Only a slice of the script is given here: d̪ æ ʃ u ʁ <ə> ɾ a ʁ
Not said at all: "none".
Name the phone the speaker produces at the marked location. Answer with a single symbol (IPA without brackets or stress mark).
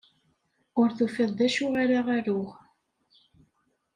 a